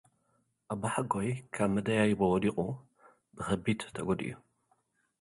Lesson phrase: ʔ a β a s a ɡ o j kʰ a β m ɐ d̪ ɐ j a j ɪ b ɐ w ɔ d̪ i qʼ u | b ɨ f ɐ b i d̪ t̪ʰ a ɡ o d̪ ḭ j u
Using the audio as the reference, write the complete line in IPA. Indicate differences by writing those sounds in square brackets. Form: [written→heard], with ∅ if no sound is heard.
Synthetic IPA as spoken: ʔ a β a [s→ħ] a ɡ o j kʰ a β m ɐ d̪ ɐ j a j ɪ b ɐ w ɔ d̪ i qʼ u | b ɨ [f→x] ɐ b i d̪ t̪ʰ [a→ɐ] ɡ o d̪ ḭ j u